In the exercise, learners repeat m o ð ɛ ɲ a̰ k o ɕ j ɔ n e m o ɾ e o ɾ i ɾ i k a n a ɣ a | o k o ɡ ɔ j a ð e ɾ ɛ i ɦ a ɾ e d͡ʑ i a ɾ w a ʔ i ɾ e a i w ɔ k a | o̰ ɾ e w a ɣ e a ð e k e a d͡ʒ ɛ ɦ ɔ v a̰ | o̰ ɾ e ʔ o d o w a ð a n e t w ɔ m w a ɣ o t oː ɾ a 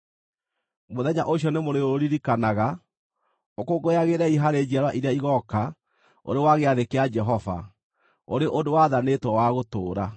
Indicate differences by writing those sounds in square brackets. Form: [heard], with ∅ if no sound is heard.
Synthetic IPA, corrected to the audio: m o ð ɛ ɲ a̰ [ʔ] o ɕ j ɔ n e m o ɾ e o ɾ i ɾ i k a n a ɣ a | o k o ɡ [o] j a [ɣ] e ɾ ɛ i ɦ a ɾ e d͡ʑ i a ɾ w a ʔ i ɾ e a i [ɣ] ɔ k a | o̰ ɾ e w a ɣ e a ð e k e a d͡ʒ ɛ ɦ ɔ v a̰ | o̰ ɾ e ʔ o d o w a ð a n e t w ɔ [∅] w a ɣ o t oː ɾ a